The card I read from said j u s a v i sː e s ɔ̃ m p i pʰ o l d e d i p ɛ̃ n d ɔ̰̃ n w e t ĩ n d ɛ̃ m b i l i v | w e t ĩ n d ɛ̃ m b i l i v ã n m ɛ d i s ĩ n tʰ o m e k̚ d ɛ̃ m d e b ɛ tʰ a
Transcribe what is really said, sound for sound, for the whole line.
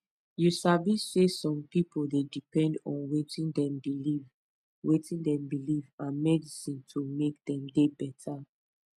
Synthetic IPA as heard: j u s a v i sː e s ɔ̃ m p i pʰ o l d e d i p ɛ̃ n d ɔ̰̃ n w e t ĩ n d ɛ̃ m b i l i v | w e t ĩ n d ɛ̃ m b i l i v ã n m ɛ d i s ĩ n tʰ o m e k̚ d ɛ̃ m d e b ɛ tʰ a